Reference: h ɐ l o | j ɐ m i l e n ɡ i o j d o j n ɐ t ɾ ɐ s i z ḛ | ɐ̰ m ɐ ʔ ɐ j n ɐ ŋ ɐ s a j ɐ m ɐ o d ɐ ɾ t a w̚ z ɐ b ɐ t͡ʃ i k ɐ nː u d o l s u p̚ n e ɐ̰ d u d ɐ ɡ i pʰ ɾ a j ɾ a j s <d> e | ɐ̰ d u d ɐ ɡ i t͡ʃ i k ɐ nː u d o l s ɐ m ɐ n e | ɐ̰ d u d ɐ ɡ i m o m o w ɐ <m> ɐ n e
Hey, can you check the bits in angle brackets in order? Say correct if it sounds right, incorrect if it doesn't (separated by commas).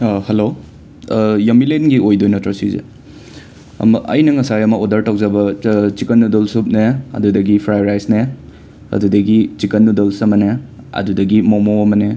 incorrect, correct